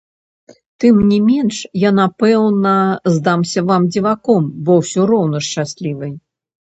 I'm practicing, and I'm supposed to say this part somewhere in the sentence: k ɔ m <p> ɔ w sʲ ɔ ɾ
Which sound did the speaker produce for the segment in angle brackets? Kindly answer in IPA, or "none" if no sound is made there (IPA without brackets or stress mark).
b